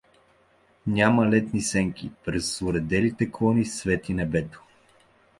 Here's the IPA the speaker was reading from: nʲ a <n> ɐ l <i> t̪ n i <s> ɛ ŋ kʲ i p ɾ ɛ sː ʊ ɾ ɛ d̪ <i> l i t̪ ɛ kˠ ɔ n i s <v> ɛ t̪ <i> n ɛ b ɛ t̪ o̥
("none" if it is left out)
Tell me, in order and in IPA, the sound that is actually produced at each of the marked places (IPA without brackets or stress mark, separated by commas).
m, ɛ, s, ɛ, v, i